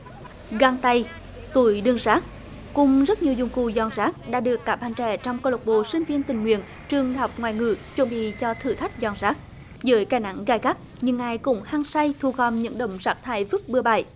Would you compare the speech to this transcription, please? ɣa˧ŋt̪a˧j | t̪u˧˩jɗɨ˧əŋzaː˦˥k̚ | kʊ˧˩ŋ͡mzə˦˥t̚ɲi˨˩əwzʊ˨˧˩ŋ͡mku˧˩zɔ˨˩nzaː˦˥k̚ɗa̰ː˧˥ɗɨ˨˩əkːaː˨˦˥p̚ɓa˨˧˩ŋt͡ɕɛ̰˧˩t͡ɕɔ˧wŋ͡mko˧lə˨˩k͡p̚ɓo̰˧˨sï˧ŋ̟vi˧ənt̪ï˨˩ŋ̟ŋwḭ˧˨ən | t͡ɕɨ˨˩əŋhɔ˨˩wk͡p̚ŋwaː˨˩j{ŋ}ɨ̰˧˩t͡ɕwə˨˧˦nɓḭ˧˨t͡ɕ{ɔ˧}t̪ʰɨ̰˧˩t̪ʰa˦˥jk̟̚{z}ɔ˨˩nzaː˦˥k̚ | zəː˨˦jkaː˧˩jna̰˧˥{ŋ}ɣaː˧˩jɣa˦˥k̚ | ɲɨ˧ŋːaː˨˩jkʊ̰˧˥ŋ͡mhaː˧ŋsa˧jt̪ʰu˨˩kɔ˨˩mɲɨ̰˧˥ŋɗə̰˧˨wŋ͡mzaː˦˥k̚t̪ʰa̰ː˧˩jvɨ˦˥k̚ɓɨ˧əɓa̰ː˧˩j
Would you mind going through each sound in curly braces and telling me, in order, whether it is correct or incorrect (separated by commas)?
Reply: correct, correct, correct, correct